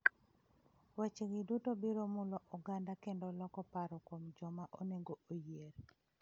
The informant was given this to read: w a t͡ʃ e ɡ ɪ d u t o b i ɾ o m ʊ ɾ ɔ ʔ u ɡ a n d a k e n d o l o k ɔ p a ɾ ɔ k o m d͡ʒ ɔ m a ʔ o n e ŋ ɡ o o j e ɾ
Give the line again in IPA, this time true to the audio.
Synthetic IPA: w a t͡ʃ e ɡ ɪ d u t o b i ɾ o m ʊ l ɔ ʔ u ɡ a n d a k e n d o l ɔ k ɔ p a ɾ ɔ k o m d͡ʒ ɔ m a ʔ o n e ŋ ɡ o o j e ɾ